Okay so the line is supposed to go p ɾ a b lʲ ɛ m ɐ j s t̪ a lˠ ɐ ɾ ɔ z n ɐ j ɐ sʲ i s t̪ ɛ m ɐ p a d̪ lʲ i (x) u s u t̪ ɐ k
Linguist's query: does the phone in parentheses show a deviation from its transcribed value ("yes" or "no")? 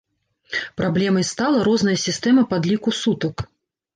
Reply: yes